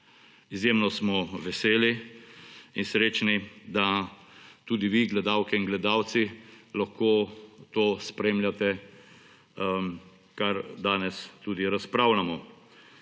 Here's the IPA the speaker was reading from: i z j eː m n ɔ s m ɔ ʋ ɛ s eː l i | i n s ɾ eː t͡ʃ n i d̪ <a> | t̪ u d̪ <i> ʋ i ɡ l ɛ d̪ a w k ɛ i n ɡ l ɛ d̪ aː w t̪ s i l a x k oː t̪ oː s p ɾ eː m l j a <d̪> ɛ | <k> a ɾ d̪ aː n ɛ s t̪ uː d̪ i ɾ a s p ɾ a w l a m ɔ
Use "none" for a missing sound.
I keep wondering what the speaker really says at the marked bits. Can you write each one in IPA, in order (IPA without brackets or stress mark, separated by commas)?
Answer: a, i, t̪, k